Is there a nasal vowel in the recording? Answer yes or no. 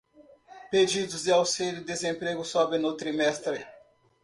yes